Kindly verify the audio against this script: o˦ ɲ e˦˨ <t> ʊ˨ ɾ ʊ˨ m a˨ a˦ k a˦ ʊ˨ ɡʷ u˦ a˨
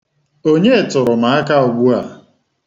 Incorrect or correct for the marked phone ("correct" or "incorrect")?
correct